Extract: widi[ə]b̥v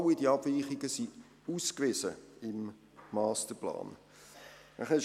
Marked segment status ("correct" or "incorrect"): incorrect